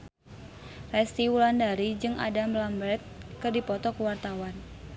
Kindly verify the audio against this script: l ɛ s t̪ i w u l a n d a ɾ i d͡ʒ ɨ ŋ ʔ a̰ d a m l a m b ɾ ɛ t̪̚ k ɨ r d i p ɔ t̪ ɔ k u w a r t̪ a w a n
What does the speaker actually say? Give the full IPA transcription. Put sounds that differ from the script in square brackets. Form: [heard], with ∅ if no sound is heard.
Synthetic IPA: [r] ɛ s t̪ i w u l a n d a ɾ i d͡ʒ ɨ ŋ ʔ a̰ d a m l a m b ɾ ɛ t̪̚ k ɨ r d i p ɔ t̪ ɔ k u w a r t̪ a w a n